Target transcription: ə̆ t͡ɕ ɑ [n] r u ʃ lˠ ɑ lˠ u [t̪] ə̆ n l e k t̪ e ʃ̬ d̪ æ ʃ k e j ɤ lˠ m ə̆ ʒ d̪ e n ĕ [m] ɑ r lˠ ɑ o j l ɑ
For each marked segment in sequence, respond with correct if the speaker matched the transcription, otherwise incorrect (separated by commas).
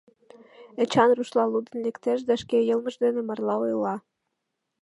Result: correct, incorrect, correct